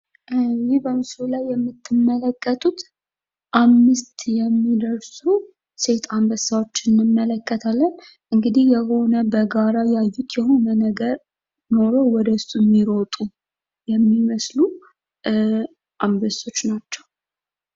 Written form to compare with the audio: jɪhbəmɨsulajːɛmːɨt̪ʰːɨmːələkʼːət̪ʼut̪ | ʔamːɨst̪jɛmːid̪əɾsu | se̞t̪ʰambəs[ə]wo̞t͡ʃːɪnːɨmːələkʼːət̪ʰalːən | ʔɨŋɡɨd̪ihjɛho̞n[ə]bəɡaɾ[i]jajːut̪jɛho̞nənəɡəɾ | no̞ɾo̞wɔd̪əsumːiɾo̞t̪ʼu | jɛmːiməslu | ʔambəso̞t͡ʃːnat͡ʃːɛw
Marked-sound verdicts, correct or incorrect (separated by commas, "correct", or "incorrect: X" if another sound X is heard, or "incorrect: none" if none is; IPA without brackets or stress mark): incorrect: a, correct, incorrect: a